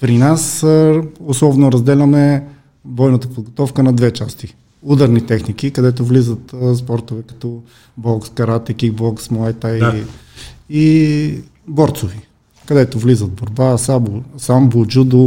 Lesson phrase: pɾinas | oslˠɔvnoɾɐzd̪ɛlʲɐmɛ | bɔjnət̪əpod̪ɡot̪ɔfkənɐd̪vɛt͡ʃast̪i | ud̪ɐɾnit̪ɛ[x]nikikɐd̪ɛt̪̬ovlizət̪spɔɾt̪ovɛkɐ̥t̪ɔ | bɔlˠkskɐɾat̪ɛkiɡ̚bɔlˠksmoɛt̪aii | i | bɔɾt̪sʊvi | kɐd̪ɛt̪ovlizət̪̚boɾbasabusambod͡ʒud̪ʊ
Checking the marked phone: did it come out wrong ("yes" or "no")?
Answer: no